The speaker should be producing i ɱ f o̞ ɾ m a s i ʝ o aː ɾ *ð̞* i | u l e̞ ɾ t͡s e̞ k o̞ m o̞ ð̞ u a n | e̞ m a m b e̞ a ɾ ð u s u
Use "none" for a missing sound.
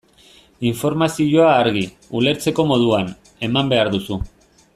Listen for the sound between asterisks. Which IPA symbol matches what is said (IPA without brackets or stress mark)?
ɣ̞